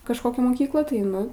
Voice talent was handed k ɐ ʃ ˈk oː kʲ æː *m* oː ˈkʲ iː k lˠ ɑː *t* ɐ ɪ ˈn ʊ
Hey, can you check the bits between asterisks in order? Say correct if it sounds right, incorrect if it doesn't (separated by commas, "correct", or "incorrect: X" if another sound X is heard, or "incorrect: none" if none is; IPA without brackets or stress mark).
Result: correct, correct